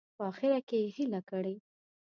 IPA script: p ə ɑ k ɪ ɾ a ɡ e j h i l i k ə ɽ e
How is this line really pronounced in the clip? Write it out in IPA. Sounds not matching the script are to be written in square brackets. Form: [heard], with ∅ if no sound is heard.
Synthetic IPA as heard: p ə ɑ [x] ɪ ɾ a [k] e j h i l [a] k ə ɽ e